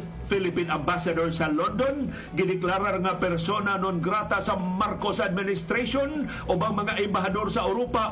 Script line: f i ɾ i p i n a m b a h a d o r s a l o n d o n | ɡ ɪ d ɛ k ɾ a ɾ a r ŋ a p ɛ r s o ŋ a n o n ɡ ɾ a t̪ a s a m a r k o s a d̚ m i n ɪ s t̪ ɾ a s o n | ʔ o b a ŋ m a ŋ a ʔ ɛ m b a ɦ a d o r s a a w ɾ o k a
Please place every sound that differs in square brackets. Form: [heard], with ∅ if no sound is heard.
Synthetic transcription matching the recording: f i [l] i p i n a m b a [s] a d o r s a l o n d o n | ɡ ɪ d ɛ k [l] a ɾ a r ŋ a p ɛ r s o [n] a n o n ɡ ɾ a t̪ a s a m a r k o s a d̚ m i n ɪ s t̪ ɾ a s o n | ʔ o b a ŋ m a ŋ a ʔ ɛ m b a ɦ a d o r s a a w ɾ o [p] a